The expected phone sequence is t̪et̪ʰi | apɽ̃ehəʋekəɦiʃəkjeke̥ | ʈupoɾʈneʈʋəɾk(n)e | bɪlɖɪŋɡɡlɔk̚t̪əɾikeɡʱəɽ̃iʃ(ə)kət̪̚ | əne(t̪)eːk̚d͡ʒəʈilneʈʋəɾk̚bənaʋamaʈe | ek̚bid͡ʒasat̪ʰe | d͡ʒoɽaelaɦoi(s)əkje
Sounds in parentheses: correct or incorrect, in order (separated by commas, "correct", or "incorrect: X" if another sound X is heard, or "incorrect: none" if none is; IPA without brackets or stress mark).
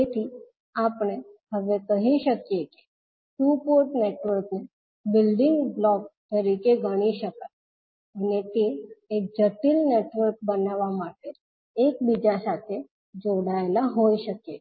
correct, correct, correct, incorrect: ʃ